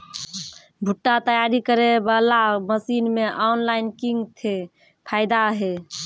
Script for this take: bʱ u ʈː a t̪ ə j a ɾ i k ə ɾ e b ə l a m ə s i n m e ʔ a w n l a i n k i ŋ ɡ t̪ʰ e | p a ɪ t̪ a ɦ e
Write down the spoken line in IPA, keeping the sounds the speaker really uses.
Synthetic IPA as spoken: bʱ u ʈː a t̪ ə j a ɾ i k ə ɾ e b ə l a m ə s i n m e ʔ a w n l a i n k i ŋ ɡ t̪ʰ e | pʰ a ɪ d̪ a ɦ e